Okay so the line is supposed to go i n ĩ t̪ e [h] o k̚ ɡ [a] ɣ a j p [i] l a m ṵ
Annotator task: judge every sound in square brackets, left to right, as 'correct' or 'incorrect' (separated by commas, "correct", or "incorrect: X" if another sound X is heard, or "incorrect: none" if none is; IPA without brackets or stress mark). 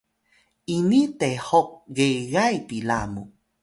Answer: correct, incorrect: e, correct